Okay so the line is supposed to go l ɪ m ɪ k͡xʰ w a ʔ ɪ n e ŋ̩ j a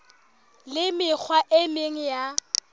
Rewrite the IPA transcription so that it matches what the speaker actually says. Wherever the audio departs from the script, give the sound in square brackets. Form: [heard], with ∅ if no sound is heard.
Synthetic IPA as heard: l ɪ m ɪ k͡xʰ w a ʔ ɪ [m] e ŋ̩ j a